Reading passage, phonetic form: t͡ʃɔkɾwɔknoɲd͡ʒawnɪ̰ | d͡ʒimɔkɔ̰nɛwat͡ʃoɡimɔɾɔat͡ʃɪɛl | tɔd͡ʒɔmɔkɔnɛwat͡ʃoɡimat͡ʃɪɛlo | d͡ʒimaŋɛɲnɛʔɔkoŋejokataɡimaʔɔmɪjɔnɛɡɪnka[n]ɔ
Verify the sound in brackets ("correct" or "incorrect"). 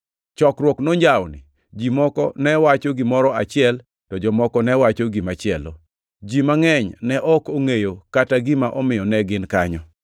incorrect